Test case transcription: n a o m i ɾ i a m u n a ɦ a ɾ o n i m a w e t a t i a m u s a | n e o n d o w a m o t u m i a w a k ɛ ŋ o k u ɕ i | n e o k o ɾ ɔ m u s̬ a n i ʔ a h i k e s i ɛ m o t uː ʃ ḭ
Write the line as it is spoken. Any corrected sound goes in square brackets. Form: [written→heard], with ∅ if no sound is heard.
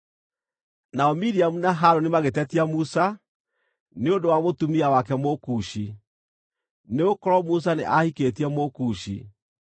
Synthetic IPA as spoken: n a [o→ɔ] m i ɾ i a m u n a ɦ a ɾ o n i m a [w→ɣ] e t [a→ɛ] t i a m u s a | n e o n d o w a m o t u m i a w a k ɛ [ŋ→m] o k u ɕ i | n e o k [o→ɔ] ɾ ɔ m u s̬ a n [i→e] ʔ a h i k e [s→t] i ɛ m o [t→k] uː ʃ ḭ